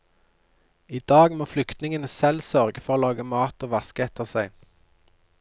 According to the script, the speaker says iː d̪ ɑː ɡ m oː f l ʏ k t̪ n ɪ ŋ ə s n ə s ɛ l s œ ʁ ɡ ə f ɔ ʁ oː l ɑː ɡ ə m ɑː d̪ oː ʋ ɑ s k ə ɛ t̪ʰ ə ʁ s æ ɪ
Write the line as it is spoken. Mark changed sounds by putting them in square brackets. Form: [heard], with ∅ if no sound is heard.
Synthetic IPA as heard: iː d̪ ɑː ɡ m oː f l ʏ k t̪ n ɪ ŋ ə [∅] n ə s ɛ l s œ ʁ ɡ ə f ɔ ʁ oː l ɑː ɡ ə m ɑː [t̪] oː ʋ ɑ s k ə ɛ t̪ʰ ə ʁ s æ ɪ